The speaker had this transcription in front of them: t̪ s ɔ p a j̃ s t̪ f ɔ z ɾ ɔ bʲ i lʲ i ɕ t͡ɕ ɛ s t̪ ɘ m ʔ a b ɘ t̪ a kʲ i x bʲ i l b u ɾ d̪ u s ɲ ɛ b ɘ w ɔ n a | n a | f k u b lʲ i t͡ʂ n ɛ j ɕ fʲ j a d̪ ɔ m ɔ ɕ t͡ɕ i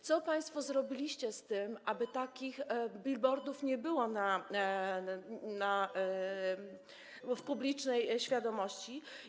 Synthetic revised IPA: t̪ s ɔ p a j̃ s t̪ f ɔ z ɾ ɔ bʲ i lʲ i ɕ t͡ɕ ɛ s t̪ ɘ m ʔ a b ɘ t̪ a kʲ i x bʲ i l b ɔ ɾ d̪ u f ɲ ɛ b ɘ w ɔ n a | n a | f p u b lʲ i t͡ʂ n ɛ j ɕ fʲ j a d̪ ɔ m ɔ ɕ t͡ɕ i